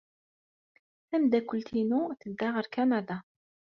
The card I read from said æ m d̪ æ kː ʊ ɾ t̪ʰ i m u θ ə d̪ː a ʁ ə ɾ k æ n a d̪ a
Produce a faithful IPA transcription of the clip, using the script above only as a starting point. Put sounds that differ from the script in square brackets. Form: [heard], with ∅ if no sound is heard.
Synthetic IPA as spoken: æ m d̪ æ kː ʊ [l] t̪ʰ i [n] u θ ə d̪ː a ʁ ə ɾ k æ n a d̪ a